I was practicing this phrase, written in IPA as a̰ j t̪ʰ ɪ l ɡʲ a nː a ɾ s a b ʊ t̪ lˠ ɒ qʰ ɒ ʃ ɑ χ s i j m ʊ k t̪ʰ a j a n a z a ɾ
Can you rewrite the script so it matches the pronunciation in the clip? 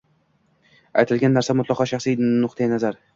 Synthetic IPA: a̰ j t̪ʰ ɪ l ɡʲ a nː a ɾ s a m ʊ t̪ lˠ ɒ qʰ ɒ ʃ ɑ χ s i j n ʊ q t̪ʰ a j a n a z a ɾ